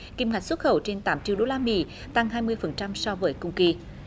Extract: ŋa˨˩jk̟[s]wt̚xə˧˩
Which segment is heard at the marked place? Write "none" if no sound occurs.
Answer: s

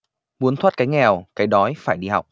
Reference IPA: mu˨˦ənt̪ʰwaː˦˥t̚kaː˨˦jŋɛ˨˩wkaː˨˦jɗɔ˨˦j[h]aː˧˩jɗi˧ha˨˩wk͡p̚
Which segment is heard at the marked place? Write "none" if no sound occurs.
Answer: f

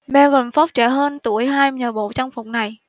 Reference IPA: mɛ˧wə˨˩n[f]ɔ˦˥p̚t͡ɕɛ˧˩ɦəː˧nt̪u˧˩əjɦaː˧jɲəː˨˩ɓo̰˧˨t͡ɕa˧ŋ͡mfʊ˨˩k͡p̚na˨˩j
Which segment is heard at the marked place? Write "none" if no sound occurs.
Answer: f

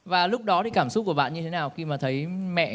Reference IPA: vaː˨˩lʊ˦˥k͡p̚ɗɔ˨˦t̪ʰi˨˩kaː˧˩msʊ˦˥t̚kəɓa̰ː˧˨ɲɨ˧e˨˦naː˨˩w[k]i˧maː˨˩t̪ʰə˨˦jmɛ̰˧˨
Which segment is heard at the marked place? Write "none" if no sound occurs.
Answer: x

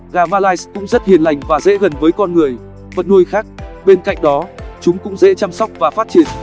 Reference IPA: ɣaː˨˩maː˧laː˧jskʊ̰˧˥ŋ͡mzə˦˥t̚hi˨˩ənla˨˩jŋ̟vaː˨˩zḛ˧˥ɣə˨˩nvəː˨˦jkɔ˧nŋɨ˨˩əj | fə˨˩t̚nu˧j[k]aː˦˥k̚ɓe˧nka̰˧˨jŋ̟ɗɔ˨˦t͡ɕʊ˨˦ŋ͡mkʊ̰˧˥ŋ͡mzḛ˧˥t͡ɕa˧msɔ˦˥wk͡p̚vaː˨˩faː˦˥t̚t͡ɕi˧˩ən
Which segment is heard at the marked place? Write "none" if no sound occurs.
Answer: x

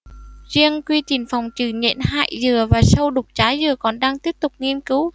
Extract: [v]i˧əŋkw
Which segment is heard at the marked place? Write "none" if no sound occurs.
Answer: z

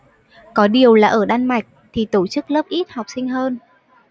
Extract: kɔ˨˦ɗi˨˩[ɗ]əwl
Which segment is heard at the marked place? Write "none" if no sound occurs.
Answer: none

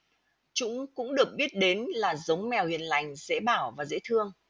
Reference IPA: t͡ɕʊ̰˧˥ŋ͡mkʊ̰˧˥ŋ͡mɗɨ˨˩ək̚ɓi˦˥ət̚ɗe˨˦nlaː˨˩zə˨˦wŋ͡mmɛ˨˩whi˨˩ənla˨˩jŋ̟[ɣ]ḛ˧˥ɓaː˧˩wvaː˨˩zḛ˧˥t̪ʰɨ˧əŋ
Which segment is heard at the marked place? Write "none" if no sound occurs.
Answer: z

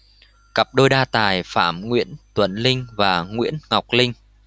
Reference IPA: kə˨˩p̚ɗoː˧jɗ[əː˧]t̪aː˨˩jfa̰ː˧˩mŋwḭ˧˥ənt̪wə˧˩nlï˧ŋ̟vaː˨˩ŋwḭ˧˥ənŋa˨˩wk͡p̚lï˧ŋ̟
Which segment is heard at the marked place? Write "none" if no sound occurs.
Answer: aː˧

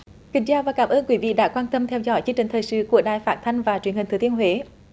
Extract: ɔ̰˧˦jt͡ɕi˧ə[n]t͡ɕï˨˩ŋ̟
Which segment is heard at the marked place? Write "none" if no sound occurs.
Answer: ŋ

